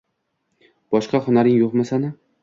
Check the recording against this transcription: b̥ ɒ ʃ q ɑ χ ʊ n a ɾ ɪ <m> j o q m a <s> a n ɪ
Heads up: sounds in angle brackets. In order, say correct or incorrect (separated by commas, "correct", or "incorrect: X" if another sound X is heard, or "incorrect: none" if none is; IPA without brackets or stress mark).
incorrect: ŋ, correct